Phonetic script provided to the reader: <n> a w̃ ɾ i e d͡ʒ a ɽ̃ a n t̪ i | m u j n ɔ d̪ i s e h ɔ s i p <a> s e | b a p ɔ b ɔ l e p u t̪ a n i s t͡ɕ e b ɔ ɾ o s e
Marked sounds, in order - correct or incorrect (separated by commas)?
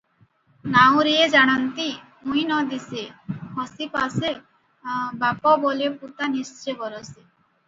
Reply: correct, correct